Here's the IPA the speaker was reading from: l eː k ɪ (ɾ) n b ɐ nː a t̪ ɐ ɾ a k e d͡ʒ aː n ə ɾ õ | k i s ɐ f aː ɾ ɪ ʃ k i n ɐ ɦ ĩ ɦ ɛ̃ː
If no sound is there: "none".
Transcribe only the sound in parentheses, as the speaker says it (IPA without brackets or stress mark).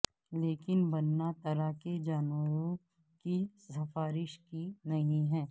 none